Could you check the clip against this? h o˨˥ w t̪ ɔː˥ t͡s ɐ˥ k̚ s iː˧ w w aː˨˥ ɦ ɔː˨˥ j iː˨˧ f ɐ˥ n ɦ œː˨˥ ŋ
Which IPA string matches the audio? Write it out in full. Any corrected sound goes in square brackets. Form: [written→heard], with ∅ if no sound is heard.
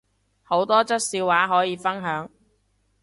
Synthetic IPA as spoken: h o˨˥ w t̪ ɔː˥ t͡s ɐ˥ [k̚→t̚] s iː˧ w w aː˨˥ ɦ ɔː˨˥ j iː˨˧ f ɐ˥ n ɦ œː˨˥ ŋ